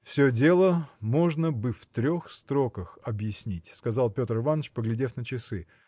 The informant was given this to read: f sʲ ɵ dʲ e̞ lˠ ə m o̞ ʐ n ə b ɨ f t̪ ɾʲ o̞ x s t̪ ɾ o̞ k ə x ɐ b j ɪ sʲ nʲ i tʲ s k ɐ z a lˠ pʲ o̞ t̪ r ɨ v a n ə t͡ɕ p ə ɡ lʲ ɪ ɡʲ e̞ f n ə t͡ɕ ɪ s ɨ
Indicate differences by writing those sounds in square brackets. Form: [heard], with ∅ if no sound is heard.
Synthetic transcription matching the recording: f sʲ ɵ dʲ e̞ lˠ ə m o̞ ʐ n ə b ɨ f t̪ ɾʲ o̞ x s t̪ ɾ o̞ k ə x ɐ b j ɪ sʲ nʲ i tʲ s k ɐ z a lˠ pʲ o̞ t̪ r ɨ v a n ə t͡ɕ p ə ɡ lʲ ɪ [dʲ] e̞ f n ə t͡ɕ ɪ s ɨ